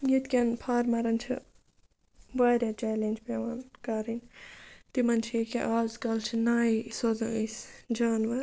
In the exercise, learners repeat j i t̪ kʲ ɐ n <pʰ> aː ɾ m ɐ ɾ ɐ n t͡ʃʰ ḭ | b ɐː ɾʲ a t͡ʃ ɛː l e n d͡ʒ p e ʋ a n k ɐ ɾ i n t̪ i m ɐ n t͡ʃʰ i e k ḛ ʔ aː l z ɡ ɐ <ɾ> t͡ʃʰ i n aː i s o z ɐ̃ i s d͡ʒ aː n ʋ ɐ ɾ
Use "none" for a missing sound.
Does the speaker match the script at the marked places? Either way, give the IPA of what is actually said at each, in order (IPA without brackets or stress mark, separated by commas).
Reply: pʰ, l